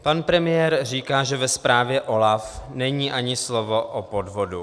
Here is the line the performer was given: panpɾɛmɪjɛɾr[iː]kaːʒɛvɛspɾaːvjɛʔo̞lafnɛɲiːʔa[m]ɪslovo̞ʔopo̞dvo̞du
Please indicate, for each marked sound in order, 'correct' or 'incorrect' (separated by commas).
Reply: correct, incorrect